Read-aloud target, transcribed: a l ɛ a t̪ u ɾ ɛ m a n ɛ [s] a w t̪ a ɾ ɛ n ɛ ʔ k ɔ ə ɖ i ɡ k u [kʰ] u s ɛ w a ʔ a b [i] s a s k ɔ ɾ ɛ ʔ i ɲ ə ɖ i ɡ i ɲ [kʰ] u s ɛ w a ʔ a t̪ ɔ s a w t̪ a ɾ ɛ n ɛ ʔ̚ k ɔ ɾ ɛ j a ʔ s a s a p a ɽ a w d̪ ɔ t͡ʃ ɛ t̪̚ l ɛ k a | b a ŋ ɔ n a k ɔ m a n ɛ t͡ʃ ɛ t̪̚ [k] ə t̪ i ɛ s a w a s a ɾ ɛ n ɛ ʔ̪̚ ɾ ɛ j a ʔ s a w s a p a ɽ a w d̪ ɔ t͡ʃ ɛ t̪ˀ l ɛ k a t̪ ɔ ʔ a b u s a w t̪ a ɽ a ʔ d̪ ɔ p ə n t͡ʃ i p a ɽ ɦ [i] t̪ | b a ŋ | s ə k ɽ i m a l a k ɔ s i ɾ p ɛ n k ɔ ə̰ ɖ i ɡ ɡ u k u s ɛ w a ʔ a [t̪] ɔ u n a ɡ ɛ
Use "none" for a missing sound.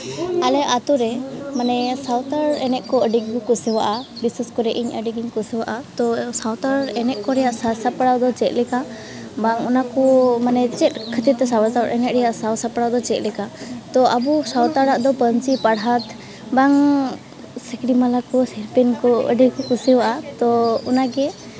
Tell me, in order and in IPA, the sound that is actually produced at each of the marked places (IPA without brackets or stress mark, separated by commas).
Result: s, k, i, k, kʰ, a, t̪